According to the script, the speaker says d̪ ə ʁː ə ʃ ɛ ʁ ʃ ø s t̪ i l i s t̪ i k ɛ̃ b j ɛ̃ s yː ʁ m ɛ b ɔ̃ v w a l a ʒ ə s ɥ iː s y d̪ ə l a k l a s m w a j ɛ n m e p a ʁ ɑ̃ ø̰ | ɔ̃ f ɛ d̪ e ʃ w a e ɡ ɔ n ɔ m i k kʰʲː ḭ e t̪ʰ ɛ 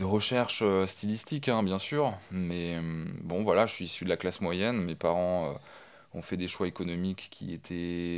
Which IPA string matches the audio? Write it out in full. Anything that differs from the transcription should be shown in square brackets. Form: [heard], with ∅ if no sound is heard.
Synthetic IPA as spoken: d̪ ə [ʁ] ə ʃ ɛ ʁ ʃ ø s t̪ i l i s t̪ i k ɛ̃ b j ɛ̃ s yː ʁ m ɛ b ɔ̃ v w a l a ʒ ə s ɥ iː s y d̪ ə l a k l a s m w a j ɛ n m e p a ʁ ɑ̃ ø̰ | ɔ̃ f ɛ d̪ e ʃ w a e [k] ɔ n ɔ m i k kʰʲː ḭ e t̪ʰ ɛ